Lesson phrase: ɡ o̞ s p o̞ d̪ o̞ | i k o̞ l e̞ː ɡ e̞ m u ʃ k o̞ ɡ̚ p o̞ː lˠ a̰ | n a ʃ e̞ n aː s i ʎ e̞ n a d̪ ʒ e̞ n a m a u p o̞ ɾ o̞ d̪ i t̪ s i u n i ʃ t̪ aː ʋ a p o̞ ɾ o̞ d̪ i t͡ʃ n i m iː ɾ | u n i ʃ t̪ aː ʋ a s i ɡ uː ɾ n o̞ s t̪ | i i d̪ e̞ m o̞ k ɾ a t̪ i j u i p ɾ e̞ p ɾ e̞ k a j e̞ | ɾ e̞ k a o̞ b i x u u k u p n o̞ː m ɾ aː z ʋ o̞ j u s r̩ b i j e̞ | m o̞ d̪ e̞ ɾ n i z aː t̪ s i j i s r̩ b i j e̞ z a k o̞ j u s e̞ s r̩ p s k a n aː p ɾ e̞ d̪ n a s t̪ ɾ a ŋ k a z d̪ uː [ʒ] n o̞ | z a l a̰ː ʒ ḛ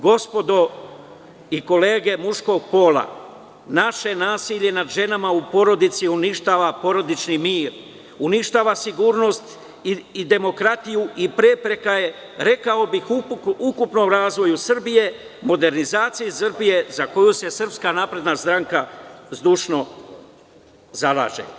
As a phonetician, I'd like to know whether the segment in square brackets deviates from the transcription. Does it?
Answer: yes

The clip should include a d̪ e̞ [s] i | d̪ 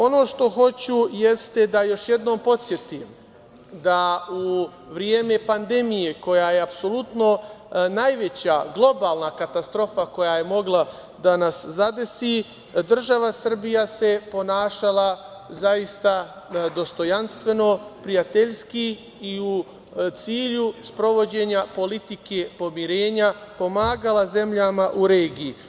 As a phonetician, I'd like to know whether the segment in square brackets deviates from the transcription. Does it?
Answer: no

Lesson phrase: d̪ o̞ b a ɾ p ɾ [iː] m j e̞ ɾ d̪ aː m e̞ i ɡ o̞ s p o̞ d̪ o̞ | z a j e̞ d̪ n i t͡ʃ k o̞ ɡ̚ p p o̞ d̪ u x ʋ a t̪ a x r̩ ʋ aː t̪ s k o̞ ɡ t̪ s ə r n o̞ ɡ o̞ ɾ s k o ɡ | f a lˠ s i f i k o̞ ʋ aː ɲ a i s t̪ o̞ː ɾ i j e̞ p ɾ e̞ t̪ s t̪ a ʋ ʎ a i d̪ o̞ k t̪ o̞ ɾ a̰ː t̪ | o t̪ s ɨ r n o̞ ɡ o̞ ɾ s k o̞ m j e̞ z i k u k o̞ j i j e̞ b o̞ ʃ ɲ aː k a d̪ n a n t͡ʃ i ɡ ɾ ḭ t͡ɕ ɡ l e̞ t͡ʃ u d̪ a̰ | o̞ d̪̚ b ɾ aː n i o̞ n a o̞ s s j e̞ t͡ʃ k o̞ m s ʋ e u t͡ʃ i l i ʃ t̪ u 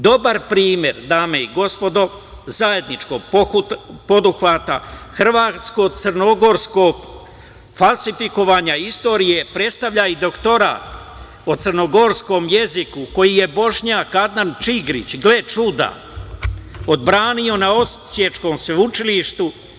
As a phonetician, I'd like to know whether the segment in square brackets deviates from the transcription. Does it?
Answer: no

